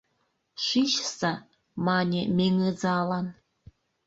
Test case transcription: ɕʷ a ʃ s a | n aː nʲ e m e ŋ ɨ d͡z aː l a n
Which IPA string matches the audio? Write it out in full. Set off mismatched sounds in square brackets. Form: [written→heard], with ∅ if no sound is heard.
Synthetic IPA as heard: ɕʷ [a→i] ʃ s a | [n→m] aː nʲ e m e ŋ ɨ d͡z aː l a n